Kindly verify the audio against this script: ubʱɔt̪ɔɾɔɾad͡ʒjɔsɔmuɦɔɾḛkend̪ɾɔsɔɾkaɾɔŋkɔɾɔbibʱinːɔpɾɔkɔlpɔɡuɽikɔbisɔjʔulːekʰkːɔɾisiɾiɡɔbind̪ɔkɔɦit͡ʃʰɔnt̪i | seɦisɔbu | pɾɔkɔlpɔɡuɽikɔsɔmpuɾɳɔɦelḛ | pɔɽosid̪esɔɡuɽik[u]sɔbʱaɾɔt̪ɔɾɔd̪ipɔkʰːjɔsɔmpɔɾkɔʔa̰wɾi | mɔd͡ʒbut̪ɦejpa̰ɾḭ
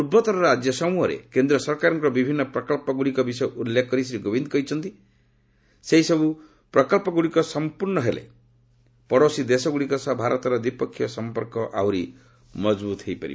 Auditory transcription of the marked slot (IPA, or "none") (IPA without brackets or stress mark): ɔ